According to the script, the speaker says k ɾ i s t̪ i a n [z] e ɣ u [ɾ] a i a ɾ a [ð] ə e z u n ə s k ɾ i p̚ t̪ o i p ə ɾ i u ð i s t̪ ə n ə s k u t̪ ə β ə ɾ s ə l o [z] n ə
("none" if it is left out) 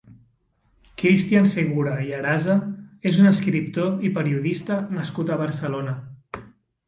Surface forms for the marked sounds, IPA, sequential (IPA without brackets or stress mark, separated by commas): s, ɾ, z, none